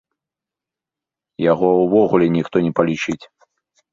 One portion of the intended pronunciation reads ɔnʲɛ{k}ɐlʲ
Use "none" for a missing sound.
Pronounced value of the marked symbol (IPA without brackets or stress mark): p